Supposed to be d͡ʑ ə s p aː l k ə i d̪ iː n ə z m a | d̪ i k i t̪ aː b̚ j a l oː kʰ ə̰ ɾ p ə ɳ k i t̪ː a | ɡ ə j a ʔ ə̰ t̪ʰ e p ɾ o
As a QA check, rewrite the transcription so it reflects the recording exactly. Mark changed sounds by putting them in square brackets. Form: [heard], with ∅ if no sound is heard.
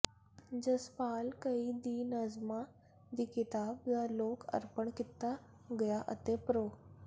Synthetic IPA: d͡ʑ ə s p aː l k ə i d̪ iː n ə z m a | d̪ i k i t̪ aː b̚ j a l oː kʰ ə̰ ɾ p ə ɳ k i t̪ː a | ɡ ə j a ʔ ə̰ [t̪] e p ɾ o

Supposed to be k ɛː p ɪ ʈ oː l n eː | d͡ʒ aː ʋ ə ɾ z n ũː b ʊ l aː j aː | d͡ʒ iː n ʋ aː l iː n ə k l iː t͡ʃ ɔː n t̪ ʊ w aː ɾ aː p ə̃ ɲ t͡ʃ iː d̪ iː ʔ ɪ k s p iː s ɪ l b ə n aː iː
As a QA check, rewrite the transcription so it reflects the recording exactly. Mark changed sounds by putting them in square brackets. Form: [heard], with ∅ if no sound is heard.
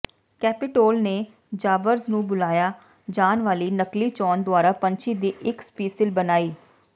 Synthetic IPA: k ɛː p ɪ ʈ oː l n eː | d͡ʒ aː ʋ ə ɾ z n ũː b ʊ l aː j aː | d͡ʒ [aː] n ʋ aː l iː n ə k l iː t͡ʃ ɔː n [d̪] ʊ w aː ɾ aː p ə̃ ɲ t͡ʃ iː d̪ iː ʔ ɪ k s p iː s ɪ l b ə n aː iː

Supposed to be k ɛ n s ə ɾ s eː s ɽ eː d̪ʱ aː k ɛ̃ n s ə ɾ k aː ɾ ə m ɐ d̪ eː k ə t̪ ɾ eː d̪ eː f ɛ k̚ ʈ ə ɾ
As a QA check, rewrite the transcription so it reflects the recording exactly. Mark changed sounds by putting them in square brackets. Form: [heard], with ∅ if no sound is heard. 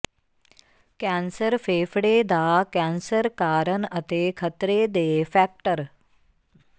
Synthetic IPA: k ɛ n s ə ɾ [f] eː [f] ɽ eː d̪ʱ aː k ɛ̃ n s ə ɾ k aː ɾ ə [n] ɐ [t̪] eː [kʰ] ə t̪ ɾ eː d̪ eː f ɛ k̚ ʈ ə ɾ

